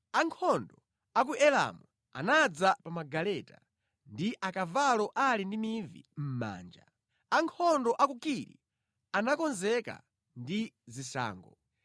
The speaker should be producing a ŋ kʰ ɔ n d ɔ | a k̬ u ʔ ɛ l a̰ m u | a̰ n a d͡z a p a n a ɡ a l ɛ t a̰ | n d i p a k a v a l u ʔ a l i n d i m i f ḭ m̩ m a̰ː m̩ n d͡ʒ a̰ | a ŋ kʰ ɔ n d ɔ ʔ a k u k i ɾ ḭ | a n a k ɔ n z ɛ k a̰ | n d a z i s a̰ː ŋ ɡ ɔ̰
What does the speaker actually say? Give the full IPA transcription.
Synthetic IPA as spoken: a ŋ kʰ ɔ n d ɔ | a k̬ u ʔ ɛ l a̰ m u | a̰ n a d͡z a p a m a ɡ a l ɛ t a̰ | n d i ʔ a k a v a l ɔ ʔ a l i n d i m i v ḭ m̩ m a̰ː n d͡ʒ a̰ | a ŋ kʰ ɔ n d ɔ ʔ a k u k i ɾ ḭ | a n a k ɔ n z ɛ k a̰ | n d i z i s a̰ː ŋ ɡ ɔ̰